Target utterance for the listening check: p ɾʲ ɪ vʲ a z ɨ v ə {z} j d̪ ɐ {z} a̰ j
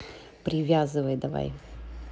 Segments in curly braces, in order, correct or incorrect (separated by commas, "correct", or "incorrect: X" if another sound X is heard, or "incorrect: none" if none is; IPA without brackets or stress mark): incorrect: none, incorrect: v